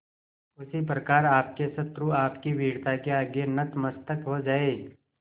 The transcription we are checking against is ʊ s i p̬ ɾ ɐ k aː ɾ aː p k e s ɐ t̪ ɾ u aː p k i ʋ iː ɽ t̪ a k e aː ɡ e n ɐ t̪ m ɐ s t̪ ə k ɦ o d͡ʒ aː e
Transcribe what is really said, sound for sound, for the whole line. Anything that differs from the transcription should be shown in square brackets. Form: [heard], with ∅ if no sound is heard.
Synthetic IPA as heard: ʊ s i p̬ ɾ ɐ k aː ɾ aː p k e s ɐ t̪ ɾ u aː p k i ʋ iː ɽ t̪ a k e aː ɡ e n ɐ t̪ m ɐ s t̪ ə k ɦ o d͡ʒ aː e